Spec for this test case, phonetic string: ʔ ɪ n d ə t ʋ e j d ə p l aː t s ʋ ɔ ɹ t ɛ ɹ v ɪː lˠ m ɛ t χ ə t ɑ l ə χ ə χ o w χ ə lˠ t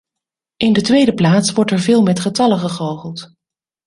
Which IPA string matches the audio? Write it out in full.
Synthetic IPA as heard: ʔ ɪ n d ə t ʋ e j d ə p l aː t s ʋ ɔ ɹ t ɛ ɹ v ɪː lˠ m ɛ t χ ə t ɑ l ə χ ə χ o w χ ə lˠ t